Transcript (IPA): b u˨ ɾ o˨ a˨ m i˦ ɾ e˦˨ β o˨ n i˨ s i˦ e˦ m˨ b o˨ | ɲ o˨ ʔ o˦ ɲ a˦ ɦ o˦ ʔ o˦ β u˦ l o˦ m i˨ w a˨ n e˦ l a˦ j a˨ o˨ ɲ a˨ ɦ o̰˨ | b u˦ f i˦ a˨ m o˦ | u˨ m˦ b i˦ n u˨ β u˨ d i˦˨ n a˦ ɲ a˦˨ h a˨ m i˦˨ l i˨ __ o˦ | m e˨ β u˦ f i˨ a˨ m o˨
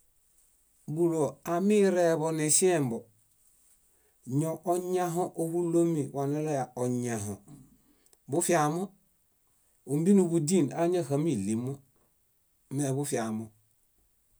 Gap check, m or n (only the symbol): m